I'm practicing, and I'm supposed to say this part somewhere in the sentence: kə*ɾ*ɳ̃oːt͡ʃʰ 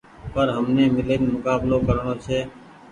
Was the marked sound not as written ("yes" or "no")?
no